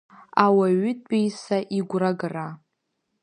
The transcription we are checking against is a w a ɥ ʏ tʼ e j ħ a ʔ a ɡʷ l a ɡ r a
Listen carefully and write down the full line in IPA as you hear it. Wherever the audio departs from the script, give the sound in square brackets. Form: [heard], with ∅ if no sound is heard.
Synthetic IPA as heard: a w a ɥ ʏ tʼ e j [s] a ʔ [i] ɡʷ [r] a ɡ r a